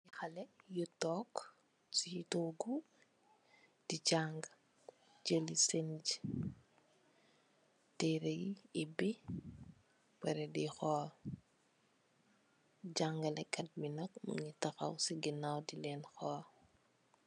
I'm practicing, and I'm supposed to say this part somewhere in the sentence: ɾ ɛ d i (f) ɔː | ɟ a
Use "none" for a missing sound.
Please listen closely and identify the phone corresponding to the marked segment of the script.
x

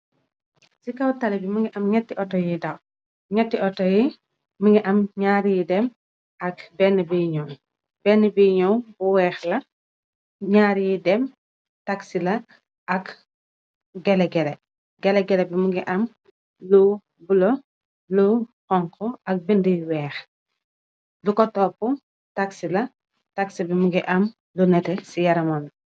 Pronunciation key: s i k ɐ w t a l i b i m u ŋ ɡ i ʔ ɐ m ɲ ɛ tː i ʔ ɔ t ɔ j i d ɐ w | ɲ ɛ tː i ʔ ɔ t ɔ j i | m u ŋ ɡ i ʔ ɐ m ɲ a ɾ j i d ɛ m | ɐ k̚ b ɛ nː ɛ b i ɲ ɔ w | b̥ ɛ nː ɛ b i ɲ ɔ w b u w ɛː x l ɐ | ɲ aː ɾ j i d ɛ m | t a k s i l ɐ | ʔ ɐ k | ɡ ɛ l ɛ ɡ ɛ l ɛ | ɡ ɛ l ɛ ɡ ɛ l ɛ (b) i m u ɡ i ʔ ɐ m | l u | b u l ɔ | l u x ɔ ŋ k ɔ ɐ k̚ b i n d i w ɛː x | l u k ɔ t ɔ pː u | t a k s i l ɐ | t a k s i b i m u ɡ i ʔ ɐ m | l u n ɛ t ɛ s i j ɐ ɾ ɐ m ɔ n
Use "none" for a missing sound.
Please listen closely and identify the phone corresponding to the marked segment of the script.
b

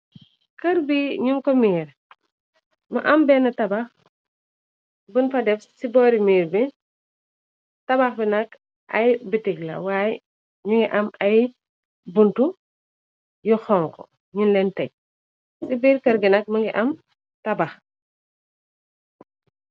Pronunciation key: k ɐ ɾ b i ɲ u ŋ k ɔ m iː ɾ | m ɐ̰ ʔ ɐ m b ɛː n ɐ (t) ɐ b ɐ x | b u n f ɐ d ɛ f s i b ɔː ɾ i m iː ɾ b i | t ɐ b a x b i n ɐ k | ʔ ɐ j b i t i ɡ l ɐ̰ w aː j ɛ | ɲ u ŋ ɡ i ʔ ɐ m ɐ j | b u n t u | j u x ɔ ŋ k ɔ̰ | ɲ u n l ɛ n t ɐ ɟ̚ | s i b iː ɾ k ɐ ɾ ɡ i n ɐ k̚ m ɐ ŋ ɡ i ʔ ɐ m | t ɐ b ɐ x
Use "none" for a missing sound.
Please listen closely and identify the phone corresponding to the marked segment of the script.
t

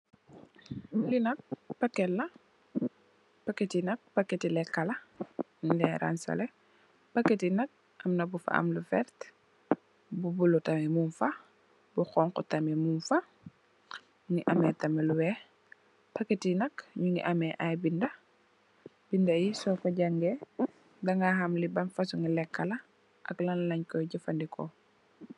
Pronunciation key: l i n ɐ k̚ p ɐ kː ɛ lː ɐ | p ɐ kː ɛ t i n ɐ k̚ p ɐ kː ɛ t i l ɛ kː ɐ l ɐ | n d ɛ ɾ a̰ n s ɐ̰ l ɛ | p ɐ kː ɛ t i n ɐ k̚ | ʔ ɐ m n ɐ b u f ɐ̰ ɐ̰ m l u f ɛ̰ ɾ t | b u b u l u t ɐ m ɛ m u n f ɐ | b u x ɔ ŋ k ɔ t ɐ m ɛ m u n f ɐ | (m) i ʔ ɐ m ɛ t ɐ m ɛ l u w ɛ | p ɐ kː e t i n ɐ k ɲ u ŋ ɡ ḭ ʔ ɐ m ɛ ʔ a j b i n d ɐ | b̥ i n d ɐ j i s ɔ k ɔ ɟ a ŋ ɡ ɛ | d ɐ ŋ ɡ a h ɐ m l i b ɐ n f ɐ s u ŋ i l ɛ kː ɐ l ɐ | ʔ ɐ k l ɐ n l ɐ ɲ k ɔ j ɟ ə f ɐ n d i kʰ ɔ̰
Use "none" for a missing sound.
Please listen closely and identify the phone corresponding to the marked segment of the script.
ŋ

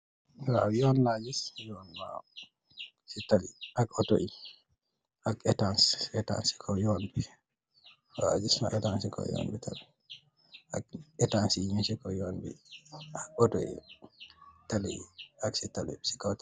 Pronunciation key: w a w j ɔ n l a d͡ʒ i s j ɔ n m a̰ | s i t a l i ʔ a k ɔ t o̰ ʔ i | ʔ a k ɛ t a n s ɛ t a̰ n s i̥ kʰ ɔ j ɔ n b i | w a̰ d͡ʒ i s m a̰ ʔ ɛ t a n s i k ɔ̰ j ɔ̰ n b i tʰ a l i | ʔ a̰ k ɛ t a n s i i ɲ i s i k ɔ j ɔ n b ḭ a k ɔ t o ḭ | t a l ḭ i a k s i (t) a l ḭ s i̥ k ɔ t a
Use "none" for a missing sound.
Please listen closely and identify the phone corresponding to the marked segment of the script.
t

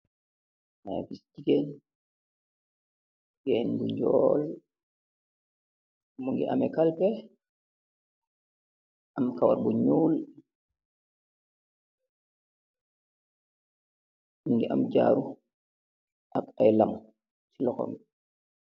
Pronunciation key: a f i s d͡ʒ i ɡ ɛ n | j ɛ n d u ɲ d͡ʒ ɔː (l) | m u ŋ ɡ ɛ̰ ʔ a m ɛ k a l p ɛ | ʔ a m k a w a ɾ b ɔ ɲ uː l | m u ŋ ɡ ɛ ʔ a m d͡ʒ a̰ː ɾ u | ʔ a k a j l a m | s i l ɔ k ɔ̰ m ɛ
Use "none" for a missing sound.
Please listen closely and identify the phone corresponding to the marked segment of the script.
l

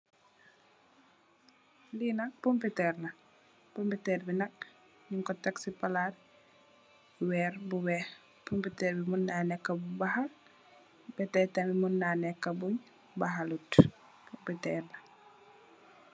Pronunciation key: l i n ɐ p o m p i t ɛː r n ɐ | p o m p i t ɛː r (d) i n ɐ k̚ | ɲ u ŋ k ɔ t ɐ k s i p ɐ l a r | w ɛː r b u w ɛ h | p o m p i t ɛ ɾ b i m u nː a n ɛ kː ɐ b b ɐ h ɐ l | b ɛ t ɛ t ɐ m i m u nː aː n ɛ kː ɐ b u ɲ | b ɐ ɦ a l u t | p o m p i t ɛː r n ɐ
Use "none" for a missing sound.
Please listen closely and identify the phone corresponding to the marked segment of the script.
b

